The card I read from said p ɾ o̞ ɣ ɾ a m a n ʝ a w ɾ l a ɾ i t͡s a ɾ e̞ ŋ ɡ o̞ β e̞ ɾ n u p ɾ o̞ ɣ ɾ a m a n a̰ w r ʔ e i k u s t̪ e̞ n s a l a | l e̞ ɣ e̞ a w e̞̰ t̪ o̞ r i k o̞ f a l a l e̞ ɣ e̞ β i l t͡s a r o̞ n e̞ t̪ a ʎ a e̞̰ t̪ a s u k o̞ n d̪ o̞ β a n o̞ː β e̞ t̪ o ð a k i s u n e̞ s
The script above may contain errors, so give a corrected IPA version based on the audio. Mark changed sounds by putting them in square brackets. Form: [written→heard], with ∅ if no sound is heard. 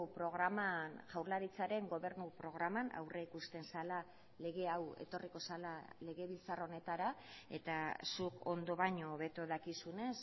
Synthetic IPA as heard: p ɾ o̞ ɣ ɾ a m a n ʝ a w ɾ l a ɾ i t͡s a ɾ e̞ ŋ ɡ o̞ β e̞ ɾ n u p ɾ o̞ ɣ ɾ a m a n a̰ w r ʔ e i k u s t̪ e̞ n s a l a | l e̞ ɣ e̞ a w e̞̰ t̪ o̞ r i k o̞ [f→s] a l a l e̞ ɣ e̞ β i l t͡s a r o̞ n e̞ t̪ a [ʎ→ɾ] a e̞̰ t̪ a s u k o̞ n d̪ o̞ β a [n→ɲ] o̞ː β e̞ t̪ o ð a k i s u n e̞ s

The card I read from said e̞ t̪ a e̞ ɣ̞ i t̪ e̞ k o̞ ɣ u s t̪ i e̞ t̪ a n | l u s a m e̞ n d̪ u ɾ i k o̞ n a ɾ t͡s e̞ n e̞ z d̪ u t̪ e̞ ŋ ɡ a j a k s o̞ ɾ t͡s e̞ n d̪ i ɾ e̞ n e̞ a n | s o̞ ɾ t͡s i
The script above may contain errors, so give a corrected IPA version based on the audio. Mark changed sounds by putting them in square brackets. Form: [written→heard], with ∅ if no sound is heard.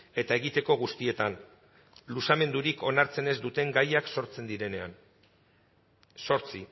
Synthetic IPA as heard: e̞ t̪ a e̞ ɣ̞ i t̪ e̞ k o̞ ɣ u s t̪ i e̞ t̪ a n | l u s a m e̞ n d̪ u ɾ i k o̞ n a ɾ t͡s e̞ n e̞ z d̪ u t̪ e̞ ŋ ɡ a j a k s o̞ ɾ t͡s e̞ n d̪ i ɾ e̞ n e̞ a n | s o̞ ɾ t͡s i

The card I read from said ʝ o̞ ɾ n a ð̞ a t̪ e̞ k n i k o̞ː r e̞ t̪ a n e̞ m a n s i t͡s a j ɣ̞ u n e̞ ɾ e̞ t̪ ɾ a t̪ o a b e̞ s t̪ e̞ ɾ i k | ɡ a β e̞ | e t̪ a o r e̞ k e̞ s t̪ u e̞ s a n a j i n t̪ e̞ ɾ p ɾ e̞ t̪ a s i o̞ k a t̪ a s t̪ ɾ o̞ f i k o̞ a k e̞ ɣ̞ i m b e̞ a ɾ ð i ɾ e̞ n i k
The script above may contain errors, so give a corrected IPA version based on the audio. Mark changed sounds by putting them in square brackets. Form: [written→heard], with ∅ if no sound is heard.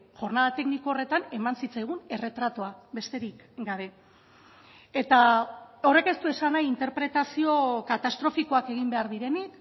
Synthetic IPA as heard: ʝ o̞ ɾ n a ð̞ a t̪ e̞ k n i k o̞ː r e̞ t̪ a n e̞ m a n s i t͡s a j ɣ̞ u n e̞ [ɾ→r] e̞ t̪ ɾ a t̪ o a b e̞ s t̪ e̞ ɾ i k | ɡ a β e̞ | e t̪ a o r e̞ k e̞ s t̪ u e̞ s a n a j i n t̪ e̞ ɾ p ɾ e̞ t̪ a s i o̞ k a t̪ a s t̪ ɾ o̞ f i k o̞ a k e̞ ɣ̞ i m b e̞ a ɾ ð i ɾ e̞ n i k

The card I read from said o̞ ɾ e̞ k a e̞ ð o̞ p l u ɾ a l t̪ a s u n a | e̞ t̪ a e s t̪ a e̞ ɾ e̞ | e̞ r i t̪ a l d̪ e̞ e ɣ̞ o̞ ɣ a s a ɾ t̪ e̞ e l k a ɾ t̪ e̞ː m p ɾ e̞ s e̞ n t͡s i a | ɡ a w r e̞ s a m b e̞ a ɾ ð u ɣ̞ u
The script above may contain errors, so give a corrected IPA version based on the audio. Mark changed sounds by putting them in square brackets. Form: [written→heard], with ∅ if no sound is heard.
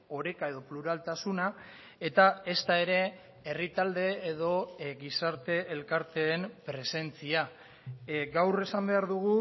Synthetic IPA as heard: o̞ ɾ e̞ k a e̞ ð o̞ p l u ɾ a l t̪ a s u n a | e̞ t̪ a e s t̪ a e̞ ɾ e̞ | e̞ r i t̪ a l d̪ e̞ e [ɣ̞→ð̞] o̞ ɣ [a→i] s a ɾ t̪ e̞ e l k a ɾ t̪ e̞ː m p ɾ e̞ s e̞ n t͡s i a | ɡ a w r e̞ s a m b e̞ a ɾ ð u ɣ̞ u

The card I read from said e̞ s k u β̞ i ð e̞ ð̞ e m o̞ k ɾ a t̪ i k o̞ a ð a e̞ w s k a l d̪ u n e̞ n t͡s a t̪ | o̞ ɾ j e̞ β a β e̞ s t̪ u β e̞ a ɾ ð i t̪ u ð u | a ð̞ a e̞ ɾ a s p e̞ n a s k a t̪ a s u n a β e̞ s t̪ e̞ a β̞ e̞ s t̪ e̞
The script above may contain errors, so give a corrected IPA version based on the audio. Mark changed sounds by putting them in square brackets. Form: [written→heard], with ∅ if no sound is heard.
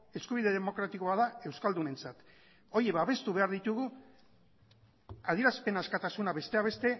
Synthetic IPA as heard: e̞ s k u β̞ i ð e̞ ð̞ e m o̞ k ɾ a t̪ i k o̞ a ð a e̞ w s k a l d̪ u n e̞ n t͡s a t̪ | o̞ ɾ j e̞ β a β e̞ s t̪ u β e̞ a ɾ ð i t̪ u [ð→ɣ] u | a ð̞ [a→i] e̞ ɾ a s p e̞ n a s k a t̪ a s u n a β e̞ s t̪ e̞ a β̞ e̞ s t̪ e̞

